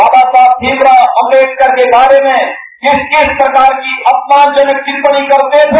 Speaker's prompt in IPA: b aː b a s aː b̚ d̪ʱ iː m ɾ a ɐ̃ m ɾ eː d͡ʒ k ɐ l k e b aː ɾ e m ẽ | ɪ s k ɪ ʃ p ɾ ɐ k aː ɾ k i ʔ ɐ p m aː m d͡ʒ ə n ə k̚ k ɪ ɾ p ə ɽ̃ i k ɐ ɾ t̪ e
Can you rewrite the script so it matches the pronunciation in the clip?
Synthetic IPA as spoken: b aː b a s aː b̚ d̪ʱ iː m ɾ a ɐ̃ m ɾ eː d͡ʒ k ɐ ɾ k e b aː ɾ e m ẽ | ɪ s k ɪ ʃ p ɾ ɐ k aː ɾ k i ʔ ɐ p m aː n d͡ʒ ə n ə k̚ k ɪ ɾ p ə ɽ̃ i k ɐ ɾ t̪ e